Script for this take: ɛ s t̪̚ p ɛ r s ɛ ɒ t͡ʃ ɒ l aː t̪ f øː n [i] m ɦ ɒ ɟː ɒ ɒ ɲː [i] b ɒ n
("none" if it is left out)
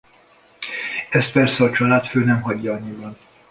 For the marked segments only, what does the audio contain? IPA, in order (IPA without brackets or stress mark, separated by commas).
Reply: ɛ, i